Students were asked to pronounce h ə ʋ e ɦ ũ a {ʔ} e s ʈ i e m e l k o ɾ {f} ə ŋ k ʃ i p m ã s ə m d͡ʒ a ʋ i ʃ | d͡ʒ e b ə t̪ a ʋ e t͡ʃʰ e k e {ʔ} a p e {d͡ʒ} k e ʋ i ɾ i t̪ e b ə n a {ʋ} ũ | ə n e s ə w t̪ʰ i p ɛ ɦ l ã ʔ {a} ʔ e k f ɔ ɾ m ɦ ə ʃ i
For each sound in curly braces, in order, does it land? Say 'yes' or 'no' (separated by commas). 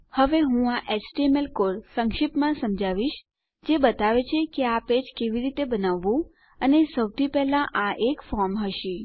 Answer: yes, no, no, yes, no, yes